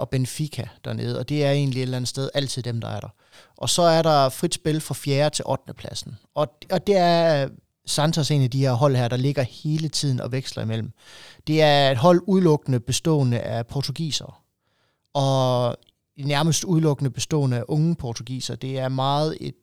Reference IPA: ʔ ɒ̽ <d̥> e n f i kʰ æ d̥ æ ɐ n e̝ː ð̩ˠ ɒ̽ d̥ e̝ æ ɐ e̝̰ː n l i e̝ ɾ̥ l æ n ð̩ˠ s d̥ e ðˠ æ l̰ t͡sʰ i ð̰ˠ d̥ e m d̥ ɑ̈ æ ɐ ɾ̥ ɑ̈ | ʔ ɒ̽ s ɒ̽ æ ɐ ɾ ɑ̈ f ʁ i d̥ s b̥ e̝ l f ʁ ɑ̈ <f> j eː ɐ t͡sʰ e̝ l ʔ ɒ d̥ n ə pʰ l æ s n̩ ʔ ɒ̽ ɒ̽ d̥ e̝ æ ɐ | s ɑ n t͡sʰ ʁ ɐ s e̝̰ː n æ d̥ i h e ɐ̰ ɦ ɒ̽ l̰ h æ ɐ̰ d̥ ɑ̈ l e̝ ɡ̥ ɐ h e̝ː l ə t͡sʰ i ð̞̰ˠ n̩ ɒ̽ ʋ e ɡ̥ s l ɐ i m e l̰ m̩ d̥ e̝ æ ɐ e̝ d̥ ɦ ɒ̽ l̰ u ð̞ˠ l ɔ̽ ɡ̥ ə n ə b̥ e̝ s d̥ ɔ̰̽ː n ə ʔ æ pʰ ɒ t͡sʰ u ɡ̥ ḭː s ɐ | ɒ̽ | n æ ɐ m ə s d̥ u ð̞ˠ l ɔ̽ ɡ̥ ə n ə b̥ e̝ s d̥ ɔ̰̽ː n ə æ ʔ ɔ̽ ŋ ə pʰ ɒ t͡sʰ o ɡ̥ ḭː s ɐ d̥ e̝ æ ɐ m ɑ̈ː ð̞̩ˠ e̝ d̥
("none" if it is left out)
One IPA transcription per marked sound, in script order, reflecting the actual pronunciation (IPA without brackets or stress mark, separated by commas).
b̥, f